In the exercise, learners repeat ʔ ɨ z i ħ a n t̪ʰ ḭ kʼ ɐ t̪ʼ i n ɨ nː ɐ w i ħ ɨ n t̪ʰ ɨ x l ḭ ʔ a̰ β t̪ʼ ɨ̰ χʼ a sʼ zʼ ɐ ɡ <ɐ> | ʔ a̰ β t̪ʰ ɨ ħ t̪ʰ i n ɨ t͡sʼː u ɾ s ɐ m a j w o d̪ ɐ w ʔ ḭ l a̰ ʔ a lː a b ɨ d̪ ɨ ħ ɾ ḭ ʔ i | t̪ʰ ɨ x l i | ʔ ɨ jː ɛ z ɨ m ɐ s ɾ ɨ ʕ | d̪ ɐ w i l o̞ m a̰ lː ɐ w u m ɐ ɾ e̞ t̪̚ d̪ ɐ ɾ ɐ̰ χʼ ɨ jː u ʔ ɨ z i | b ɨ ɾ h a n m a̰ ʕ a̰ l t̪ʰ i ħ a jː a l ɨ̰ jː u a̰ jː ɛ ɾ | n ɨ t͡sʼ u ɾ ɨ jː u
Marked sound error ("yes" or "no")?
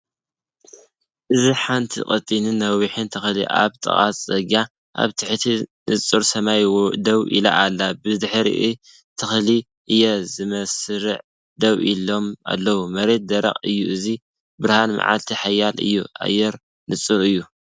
yes